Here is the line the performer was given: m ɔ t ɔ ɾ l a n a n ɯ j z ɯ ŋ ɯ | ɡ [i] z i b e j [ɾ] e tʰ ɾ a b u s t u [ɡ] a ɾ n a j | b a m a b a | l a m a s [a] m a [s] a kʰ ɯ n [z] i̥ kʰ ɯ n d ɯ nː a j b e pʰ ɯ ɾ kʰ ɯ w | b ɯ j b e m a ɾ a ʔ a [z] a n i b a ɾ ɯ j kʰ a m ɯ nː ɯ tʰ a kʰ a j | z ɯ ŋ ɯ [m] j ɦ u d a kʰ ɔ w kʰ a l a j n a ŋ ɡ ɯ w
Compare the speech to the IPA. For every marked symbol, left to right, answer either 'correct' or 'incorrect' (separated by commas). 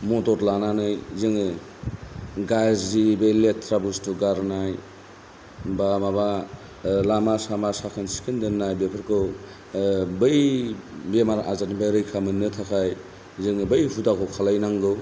incorrect, incorrect, correct, correct, correct, incorrect, correct, incorrect